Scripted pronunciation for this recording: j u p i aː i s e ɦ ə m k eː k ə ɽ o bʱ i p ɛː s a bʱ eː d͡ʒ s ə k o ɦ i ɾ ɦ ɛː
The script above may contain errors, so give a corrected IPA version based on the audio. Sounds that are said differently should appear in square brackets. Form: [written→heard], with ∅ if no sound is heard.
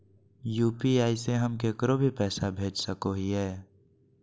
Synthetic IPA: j [u→uː] p i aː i s e ɦ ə m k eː k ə [ɽ→ɾ] o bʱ i p ɛː s a bʱ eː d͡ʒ s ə k o ɦ i [ɾ→∅] ɦ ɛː